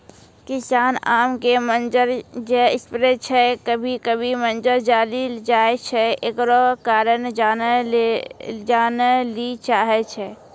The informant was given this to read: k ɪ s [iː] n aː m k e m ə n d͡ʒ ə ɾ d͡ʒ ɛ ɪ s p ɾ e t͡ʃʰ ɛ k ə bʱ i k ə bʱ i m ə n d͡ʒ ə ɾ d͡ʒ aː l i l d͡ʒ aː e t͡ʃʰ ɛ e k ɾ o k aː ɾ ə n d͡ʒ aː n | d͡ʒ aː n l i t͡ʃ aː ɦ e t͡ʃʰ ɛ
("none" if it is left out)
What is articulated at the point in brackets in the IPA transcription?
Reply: aː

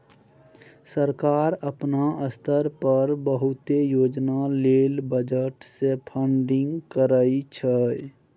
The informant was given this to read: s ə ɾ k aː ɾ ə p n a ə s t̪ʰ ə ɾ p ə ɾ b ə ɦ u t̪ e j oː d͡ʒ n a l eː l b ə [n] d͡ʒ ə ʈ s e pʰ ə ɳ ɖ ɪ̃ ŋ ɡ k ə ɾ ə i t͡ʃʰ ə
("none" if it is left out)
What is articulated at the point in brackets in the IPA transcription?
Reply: none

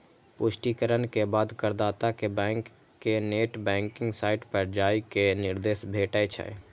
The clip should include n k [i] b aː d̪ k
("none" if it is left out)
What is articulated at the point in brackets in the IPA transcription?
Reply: e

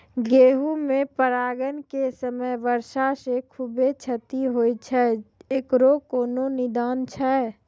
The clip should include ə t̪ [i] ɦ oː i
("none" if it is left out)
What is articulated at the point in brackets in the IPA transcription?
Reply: i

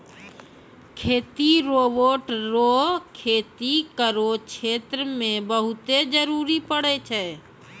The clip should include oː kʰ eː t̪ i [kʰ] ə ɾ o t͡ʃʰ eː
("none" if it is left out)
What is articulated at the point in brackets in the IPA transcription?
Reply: k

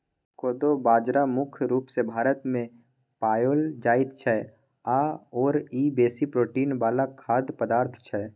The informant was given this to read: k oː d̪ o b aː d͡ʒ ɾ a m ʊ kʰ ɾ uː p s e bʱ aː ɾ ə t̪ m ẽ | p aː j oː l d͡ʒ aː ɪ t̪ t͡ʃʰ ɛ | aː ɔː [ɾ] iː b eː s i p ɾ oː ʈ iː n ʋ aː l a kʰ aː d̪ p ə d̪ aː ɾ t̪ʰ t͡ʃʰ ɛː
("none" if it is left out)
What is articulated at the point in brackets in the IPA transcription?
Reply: ɾ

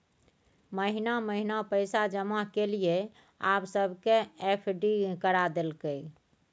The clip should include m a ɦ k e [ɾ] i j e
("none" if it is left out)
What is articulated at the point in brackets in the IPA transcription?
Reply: l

